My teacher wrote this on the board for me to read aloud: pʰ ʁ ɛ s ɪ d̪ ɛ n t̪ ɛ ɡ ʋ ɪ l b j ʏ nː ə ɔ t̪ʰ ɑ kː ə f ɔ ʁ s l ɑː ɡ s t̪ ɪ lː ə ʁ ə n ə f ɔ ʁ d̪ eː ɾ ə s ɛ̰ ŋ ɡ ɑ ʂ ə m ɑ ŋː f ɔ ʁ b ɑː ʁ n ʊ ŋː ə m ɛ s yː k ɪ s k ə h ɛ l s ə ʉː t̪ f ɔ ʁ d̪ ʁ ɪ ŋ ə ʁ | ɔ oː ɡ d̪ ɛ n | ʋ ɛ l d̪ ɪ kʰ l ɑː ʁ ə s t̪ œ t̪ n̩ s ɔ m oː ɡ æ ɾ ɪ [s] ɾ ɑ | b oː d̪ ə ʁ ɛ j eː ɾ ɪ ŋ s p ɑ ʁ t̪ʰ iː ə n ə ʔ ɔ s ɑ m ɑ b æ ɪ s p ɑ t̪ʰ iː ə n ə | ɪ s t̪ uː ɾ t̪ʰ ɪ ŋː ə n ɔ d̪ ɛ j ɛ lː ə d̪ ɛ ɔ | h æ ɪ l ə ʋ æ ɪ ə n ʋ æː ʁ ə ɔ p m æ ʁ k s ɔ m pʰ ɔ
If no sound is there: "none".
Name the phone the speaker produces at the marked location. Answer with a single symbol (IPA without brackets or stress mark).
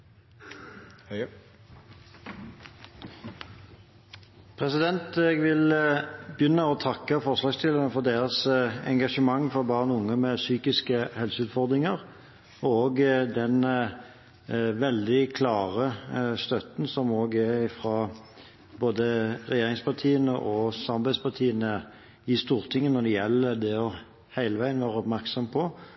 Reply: f